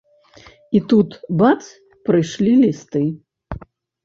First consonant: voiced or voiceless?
voiceless